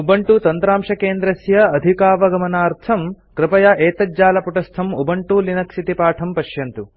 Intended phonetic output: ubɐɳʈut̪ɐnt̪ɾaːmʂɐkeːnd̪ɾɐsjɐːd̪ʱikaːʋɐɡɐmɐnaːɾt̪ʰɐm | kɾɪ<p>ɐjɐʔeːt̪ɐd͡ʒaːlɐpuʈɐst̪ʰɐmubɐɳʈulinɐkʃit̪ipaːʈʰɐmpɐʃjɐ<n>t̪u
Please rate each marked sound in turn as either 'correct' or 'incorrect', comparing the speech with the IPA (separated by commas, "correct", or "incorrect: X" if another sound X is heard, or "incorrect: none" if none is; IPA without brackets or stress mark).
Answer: correct, correct